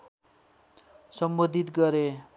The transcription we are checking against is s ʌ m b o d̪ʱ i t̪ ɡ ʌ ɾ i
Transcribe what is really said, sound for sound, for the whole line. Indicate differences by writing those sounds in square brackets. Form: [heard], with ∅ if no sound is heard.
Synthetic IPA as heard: s ʌ m b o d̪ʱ i t̪ ɡ ʌ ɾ [e]

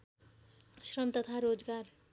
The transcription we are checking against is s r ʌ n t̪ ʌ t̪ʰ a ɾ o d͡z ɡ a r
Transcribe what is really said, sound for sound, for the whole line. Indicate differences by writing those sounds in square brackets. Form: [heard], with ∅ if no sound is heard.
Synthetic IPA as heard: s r ʌ [m] t̪ ʌ t̪ʰ a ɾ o d͡z ɡ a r

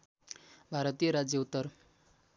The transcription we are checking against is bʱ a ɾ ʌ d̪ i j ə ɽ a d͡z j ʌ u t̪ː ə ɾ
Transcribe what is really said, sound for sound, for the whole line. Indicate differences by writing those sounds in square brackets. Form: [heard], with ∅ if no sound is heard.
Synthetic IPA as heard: bʱ a ɾ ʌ [t̪] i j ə [ɾ] a d͡z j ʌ u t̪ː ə ɾ

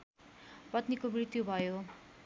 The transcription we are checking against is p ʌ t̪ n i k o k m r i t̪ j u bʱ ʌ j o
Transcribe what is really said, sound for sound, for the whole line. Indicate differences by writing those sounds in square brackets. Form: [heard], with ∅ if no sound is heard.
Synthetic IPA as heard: p ʌ t̪ n i k o [∅] m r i t̪ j u bʱ ʌ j o

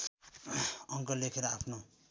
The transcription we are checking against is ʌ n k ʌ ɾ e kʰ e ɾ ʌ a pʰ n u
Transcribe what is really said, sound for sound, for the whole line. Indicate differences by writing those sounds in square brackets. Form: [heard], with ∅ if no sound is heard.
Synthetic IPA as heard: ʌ [ŋ] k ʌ [l] e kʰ e ɾ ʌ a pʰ n [o]

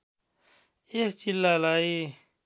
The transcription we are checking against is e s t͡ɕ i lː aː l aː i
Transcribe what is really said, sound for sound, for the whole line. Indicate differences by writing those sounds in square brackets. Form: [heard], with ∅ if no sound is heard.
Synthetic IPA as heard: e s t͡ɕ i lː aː l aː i

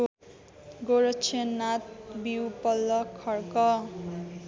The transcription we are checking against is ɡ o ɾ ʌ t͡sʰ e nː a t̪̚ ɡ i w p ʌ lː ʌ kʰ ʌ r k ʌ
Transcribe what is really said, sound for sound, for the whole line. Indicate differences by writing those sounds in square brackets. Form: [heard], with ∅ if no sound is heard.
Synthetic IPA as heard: ɡ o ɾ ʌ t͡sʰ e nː a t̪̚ [b] i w p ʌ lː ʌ kʰ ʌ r k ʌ

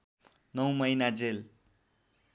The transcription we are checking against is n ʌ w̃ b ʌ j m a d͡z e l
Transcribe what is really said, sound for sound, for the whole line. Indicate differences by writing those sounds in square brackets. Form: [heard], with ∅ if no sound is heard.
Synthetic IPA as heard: n ʌ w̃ [m] ʌ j [n] a d͡z e l

